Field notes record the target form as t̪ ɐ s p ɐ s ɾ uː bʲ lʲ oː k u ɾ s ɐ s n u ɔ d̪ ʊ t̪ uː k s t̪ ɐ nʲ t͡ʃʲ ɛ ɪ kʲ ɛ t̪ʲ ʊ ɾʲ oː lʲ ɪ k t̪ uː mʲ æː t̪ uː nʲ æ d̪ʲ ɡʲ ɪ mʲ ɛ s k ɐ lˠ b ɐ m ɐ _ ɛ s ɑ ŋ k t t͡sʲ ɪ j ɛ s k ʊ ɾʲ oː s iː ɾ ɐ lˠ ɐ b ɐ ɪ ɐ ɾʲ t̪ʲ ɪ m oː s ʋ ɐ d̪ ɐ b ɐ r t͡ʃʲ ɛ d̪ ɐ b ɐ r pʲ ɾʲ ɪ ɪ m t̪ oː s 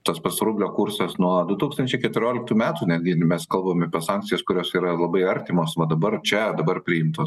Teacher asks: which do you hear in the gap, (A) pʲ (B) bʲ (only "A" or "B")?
A